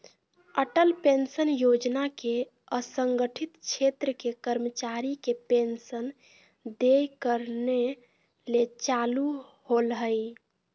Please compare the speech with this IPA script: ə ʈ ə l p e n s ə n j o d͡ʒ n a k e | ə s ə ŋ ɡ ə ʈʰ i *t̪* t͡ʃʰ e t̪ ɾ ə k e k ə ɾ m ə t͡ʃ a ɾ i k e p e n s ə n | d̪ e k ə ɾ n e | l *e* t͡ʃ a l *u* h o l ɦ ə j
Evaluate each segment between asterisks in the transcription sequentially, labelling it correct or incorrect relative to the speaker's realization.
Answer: correct, correct, correct

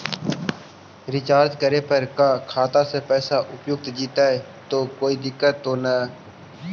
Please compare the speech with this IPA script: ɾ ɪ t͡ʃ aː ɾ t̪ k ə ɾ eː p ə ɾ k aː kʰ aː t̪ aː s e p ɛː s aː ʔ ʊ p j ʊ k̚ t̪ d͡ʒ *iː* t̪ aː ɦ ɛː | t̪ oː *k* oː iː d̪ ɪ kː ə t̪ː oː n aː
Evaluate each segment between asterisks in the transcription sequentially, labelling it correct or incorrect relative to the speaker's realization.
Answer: correct, correct

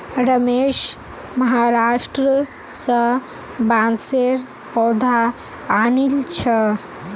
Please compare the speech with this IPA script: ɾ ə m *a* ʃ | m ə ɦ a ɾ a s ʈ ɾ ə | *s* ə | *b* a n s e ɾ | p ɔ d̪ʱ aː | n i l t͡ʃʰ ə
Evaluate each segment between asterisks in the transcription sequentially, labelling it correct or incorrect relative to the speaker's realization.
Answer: incorrect: e, correct, correct

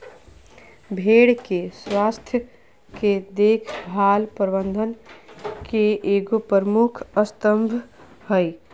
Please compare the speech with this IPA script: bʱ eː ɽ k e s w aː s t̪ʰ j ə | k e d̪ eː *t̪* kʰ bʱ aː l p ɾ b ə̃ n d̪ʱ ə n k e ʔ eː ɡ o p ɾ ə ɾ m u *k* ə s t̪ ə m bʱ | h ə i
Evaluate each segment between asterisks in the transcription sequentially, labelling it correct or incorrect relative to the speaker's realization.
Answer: incorrect: none, incorrect: kʰ

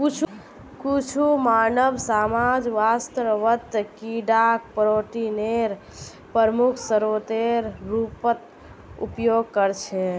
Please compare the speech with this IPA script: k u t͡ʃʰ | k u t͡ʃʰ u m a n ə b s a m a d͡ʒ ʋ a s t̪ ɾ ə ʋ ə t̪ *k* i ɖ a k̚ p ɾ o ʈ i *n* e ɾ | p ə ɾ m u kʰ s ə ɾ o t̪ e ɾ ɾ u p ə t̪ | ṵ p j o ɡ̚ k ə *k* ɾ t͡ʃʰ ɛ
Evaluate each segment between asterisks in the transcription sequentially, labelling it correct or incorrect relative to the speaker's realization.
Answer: correct, correct, incorrect: none

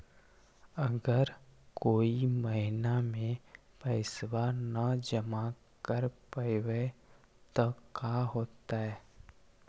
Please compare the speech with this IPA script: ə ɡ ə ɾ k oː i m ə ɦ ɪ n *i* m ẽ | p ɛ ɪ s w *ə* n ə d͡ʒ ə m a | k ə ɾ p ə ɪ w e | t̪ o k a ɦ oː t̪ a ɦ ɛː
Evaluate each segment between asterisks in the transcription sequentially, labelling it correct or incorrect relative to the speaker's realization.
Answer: incorrect: a, incorrect: a

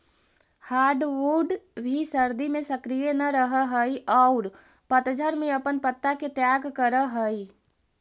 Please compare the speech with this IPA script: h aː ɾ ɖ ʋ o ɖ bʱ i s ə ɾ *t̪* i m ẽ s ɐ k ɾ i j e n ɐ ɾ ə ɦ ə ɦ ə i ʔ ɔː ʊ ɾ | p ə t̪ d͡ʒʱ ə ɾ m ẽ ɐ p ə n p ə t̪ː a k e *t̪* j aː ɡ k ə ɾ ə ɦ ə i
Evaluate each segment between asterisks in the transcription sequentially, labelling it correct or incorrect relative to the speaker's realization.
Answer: incorrect: d̪, correct

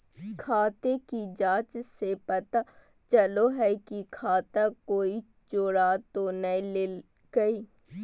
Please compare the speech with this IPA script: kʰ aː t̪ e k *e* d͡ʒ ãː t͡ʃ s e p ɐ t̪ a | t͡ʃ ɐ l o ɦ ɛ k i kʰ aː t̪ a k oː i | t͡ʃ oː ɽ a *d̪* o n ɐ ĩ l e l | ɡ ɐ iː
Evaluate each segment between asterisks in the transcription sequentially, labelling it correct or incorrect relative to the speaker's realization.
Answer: incorrect: i, incorrect: t̪

